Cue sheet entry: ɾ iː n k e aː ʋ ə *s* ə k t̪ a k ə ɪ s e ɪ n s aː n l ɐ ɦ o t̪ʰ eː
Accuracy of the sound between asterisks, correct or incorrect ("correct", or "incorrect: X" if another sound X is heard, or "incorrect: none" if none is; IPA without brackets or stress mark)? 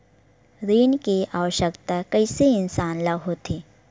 incorrect: ʃ